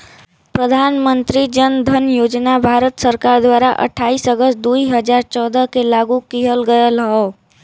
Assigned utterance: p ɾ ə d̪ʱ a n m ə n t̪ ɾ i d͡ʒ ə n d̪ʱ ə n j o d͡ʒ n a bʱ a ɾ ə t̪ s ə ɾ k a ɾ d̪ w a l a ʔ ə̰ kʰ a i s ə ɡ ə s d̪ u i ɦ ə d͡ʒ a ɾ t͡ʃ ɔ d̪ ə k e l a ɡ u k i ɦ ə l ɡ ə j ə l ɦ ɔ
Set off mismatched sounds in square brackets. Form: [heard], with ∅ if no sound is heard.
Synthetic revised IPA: p ɾ ə d̪ʱ a n m ə n t̪ ɾ i d͡ʒ ə n d̪ʱ ə n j o d͡ʒ n a bʱ a ɾ ə t̪ s ə ɾ k a ɾ d̪ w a [ɾ] a ʔ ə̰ [ʈʰ] a i s ə ɡ ə s d̪ u i ɦ ə d͡ʒ a ɾ t͡ʃ ɔ d̪ ə k e l a ɡ u k i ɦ ə l ɡ ə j ə l ɦ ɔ